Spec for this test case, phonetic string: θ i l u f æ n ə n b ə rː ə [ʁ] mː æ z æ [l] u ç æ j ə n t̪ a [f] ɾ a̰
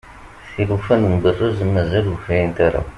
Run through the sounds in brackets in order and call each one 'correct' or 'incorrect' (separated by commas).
incorrect, correct, incorrect